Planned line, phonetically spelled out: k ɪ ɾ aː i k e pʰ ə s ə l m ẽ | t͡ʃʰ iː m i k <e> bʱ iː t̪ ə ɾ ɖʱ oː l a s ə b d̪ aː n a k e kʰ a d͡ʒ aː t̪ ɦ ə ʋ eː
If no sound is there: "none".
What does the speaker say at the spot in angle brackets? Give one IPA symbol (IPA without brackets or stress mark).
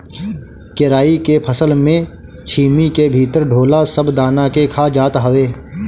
e